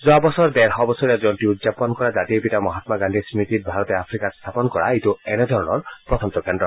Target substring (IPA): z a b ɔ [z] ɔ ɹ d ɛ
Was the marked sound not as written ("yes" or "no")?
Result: yes